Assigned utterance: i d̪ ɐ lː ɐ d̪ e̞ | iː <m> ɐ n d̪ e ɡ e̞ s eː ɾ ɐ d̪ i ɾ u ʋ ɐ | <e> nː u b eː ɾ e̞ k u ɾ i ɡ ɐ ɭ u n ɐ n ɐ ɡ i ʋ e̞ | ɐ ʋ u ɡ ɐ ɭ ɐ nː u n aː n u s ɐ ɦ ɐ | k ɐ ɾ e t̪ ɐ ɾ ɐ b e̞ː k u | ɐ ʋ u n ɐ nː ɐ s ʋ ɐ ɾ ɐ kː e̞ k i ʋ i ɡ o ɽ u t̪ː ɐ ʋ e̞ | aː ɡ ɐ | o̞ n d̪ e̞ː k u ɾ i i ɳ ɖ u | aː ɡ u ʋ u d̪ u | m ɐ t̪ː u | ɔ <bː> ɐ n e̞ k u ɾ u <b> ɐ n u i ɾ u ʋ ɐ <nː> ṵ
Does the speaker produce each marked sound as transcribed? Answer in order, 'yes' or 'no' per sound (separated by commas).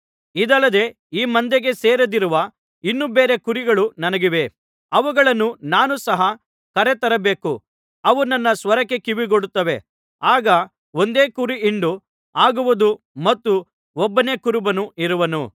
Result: yes, no, yes, yes, no